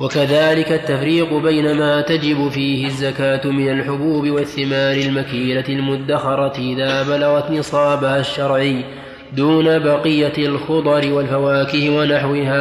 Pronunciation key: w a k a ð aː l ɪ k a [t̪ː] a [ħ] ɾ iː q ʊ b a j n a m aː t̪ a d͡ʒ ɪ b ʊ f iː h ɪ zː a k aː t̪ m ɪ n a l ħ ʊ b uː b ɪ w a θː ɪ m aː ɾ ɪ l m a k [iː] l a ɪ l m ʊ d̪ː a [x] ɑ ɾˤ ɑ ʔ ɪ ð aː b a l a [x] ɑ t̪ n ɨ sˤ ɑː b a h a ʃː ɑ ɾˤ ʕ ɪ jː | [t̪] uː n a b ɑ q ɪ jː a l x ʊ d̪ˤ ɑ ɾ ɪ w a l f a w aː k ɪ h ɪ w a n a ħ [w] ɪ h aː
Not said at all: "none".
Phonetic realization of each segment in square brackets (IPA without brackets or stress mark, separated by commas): t̪ː, f, iː, x, ɣ, d̪, w